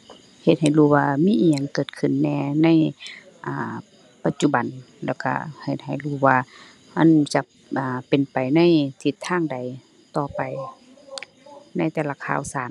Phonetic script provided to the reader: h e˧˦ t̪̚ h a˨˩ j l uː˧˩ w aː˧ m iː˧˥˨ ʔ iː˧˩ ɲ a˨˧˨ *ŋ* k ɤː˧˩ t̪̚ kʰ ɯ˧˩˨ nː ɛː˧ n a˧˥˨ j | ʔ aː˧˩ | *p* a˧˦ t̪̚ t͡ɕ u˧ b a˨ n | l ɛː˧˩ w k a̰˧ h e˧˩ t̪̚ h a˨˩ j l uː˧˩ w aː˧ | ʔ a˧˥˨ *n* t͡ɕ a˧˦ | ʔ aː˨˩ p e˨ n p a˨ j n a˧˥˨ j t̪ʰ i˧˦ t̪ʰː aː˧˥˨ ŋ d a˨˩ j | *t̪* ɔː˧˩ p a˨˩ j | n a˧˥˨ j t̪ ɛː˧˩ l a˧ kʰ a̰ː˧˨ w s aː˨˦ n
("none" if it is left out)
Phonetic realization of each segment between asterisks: ŋ, p, n, t̪

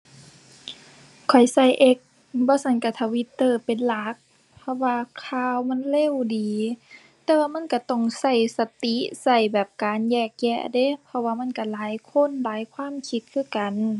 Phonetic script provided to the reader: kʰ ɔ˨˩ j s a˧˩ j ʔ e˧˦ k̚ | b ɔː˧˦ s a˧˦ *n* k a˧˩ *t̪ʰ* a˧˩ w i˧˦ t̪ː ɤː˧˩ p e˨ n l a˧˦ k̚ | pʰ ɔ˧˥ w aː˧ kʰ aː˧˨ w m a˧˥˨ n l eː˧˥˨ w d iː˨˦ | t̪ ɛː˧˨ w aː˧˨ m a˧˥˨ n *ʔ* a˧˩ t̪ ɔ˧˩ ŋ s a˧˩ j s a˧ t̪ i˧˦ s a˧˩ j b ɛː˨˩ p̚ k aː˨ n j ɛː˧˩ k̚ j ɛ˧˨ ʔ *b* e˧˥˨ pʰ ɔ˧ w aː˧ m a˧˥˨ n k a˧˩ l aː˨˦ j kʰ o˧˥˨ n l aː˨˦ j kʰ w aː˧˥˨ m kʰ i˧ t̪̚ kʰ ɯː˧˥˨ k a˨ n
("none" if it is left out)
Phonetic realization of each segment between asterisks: n, t̪ʰ, k, d

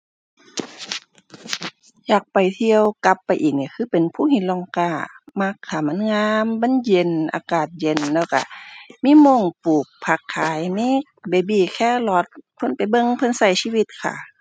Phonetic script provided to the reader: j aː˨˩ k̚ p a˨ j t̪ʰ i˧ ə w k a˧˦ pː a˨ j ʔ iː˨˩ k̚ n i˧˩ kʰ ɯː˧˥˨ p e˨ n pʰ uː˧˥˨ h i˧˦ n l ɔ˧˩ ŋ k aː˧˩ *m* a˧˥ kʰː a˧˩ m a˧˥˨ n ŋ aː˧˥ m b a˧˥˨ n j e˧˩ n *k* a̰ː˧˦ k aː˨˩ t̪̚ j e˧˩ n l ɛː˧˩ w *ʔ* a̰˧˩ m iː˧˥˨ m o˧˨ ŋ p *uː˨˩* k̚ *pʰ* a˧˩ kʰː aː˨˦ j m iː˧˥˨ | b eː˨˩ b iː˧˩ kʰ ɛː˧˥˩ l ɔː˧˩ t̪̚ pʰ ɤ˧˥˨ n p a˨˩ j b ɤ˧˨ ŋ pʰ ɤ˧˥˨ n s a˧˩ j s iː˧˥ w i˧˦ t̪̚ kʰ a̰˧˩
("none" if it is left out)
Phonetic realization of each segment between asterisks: m, ʔ, k, uː˨˩, pʰ

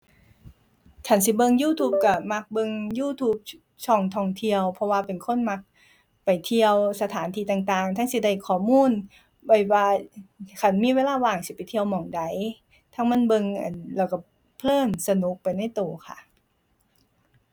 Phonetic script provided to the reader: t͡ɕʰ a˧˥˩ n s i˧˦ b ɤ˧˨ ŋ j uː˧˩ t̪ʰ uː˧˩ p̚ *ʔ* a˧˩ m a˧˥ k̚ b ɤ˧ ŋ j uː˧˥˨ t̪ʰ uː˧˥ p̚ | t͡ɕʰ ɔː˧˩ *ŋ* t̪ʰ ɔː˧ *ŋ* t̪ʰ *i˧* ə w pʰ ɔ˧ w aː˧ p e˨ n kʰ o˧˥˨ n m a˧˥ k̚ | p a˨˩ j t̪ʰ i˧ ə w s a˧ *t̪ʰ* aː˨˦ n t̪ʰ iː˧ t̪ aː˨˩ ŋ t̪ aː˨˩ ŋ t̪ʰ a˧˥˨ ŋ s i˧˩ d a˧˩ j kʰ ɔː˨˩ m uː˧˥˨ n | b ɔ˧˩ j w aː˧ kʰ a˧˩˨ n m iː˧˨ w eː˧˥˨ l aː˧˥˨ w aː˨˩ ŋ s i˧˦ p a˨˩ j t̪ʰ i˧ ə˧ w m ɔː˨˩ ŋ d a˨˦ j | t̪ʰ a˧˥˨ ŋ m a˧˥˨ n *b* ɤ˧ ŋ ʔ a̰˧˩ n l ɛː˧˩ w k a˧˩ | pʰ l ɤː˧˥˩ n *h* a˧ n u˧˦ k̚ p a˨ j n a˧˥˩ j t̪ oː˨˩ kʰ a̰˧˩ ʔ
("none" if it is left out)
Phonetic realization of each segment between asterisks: k, ŋ, ŋ, i˧, t̪ʰ, b, s

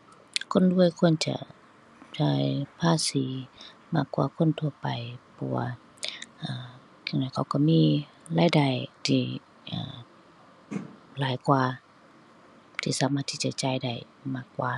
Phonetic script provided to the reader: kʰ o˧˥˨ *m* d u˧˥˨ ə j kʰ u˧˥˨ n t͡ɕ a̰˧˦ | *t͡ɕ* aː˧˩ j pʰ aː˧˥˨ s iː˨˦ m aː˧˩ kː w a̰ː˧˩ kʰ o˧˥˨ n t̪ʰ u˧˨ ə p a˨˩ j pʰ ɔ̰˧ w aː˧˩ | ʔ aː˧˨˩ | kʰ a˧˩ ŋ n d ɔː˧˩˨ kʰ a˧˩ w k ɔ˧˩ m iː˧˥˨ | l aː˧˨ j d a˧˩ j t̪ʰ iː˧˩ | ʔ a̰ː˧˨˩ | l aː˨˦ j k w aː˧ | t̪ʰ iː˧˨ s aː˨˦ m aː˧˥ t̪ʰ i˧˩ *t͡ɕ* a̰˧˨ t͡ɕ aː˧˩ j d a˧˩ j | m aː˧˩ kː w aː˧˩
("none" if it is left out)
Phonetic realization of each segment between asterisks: n, t͡ɕ, t͡ɕ

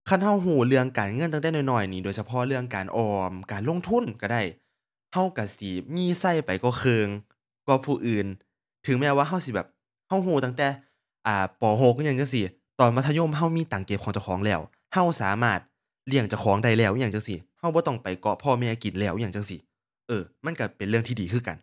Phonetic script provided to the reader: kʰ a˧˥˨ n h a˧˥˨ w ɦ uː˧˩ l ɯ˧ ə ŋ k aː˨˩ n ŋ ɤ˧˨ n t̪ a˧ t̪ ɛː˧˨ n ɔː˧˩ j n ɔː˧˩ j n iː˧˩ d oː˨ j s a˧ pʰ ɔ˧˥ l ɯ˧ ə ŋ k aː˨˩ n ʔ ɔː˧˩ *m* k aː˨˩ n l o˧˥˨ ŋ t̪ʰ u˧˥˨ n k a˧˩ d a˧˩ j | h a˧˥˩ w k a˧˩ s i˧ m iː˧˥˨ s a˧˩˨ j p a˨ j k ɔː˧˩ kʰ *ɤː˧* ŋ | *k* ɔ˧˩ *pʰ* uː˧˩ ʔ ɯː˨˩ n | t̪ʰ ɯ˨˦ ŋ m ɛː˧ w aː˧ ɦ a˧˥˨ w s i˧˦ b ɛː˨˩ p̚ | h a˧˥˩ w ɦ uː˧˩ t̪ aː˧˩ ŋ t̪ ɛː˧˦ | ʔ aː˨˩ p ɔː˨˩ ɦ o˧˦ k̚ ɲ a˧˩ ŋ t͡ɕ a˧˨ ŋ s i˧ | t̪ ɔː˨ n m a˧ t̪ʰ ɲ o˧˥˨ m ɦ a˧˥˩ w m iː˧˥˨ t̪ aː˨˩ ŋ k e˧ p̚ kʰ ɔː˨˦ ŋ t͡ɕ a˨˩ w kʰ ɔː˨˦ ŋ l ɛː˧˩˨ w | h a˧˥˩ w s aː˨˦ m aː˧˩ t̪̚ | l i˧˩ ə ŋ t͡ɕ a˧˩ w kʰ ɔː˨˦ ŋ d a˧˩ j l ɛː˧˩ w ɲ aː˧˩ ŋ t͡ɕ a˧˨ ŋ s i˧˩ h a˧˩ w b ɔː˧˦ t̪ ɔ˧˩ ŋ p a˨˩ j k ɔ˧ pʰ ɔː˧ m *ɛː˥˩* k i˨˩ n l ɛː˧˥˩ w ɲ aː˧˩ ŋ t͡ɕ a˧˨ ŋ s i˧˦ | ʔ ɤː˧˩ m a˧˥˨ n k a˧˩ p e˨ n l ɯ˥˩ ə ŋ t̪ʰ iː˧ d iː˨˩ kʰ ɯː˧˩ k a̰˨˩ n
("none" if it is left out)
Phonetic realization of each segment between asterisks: m, ɤː˧, k, pʰ, ɛː˧˩

